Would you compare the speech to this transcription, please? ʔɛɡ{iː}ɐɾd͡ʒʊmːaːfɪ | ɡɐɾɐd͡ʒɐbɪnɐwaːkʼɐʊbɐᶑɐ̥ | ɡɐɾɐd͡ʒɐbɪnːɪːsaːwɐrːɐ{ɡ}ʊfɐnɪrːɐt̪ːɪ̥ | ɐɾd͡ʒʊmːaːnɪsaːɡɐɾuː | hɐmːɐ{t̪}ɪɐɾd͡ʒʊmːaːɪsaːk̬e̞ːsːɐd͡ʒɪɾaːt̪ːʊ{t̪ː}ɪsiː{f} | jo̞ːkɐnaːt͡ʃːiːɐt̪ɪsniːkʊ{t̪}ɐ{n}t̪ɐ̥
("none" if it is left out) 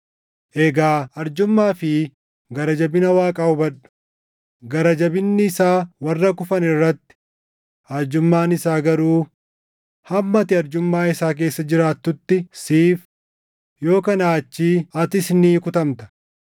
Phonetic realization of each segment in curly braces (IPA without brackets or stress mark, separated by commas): aː, k, t̪, t̪ː, f, t̪, m